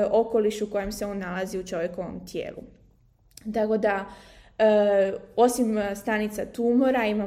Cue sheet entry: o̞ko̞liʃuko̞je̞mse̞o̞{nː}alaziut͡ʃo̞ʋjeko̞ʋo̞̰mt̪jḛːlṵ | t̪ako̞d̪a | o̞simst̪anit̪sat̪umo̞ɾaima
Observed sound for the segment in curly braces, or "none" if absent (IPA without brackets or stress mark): nː